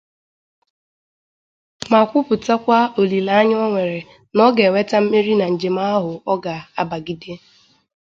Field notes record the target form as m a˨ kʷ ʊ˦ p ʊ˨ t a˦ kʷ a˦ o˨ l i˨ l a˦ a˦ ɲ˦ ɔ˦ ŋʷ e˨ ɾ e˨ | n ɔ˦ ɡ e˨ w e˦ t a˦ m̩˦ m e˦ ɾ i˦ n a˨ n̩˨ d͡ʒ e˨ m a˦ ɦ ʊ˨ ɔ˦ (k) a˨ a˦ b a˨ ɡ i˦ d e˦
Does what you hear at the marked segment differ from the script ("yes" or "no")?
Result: yes